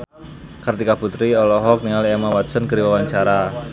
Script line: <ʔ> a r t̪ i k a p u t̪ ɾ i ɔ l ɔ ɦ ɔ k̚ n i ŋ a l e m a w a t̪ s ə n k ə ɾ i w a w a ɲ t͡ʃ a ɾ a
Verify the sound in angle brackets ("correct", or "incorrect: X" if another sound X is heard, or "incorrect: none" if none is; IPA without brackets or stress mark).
incorrect: k